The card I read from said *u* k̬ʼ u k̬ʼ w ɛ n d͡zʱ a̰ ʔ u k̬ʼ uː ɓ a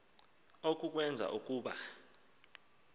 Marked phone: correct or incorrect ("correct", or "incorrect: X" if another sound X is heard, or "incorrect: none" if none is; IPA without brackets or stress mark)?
incorrect: o